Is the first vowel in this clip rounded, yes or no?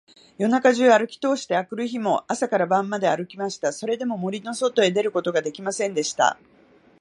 yes